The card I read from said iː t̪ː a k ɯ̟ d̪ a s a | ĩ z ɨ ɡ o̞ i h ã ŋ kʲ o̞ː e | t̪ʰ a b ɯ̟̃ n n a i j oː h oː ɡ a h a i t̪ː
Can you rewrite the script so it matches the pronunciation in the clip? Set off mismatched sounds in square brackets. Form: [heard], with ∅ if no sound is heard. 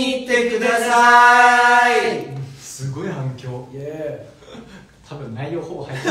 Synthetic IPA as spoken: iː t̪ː [e] k ɯ̟ d̪ a s a | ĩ [s] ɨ ɡ o̞ i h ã ŋ kʲ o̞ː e | t̪ʰ a b ɯ̟̃ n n a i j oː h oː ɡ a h a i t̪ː